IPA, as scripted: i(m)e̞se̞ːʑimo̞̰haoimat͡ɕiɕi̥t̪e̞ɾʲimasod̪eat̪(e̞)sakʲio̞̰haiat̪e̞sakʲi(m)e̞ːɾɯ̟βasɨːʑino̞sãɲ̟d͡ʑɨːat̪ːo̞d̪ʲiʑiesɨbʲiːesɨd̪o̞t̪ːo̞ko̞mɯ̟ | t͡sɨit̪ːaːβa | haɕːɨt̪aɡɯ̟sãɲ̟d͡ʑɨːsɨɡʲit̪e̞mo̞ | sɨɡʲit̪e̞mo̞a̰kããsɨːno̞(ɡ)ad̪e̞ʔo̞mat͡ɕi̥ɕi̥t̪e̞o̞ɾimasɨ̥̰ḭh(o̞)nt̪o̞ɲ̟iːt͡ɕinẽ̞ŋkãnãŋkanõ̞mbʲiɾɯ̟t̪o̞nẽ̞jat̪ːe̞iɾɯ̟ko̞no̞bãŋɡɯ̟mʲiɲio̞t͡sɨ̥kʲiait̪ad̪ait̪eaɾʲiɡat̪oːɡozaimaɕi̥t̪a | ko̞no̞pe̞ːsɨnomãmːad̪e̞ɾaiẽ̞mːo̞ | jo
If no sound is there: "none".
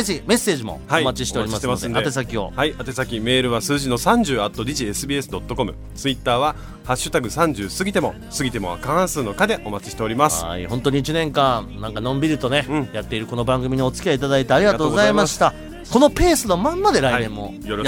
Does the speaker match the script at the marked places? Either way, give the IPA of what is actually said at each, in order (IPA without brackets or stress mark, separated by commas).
m, e̞, m, k, õ̞